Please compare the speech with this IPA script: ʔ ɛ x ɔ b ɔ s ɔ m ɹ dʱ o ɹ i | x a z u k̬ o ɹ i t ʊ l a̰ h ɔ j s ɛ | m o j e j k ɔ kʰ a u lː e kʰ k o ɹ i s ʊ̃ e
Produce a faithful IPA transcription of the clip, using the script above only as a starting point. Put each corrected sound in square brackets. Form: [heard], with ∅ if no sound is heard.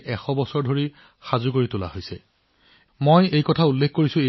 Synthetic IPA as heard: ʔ ɛ x ɔ b ɔ s ɔ [∅] ɹ dʱ o ɹ i | x a z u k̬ o ɹ i t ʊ l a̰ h [o] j s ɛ | m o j e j k ɔ [tʰ] a u lː e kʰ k o ɹ i s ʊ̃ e